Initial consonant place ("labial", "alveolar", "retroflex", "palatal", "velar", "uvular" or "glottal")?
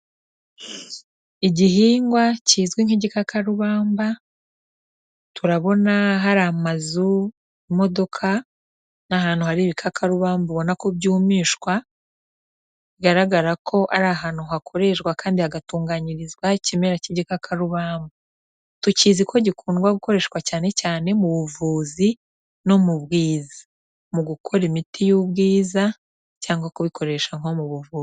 palatal